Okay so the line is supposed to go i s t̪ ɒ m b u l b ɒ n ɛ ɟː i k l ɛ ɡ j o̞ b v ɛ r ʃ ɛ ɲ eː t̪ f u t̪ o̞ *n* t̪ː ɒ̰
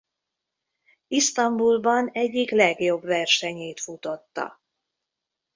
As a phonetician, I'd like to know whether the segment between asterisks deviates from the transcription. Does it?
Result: yes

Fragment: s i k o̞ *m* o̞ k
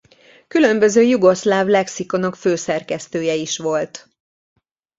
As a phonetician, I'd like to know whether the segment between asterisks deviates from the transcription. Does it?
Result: yes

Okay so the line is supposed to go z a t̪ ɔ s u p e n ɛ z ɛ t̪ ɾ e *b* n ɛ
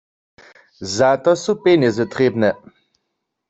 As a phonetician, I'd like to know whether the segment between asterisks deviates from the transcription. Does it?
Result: no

